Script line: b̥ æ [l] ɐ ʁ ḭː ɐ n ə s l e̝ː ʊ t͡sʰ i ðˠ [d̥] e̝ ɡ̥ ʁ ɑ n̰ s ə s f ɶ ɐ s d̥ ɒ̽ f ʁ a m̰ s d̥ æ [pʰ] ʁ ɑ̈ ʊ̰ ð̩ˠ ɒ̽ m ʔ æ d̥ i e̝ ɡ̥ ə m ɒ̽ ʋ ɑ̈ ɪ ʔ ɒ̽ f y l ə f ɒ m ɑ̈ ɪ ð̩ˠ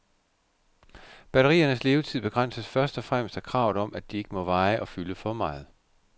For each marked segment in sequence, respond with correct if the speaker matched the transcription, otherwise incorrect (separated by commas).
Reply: incorrect, incorrect, incorrect